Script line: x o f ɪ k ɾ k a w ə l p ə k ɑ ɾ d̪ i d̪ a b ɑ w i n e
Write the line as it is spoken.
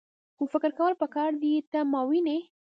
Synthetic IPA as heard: x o f ɪ k ɾ k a w ə l p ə k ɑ ɾ d̪ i t̪ a m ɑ w i n e